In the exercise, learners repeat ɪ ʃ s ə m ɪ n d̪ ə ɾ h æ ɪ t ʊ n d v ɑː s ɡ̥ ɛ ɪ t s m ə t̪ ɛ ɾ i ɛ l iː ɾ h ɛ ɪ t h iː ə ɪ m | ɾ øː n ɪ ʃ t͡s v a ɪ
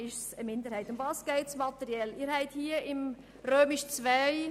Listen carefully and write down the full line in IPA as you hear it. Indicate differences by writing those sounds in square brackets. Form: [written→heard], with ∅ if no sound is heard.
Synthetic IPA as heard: ɪ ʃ s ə m ɪ n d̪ ə ɾ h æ ɪ t ʊ n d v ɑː s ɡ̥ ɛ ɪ t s m [ə→ɑ] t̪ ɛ ɾ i ɛ l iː ɾ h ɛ ɪ t h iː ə ɪ m | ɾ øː [n→m] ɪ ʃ t͡s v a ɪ